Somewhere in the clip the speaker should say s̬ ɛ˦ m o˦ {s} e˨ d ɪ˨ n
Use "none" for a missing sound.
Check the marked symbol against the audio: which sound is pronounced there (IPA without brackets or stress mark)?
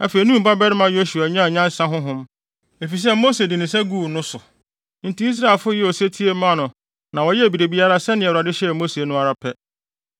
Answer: s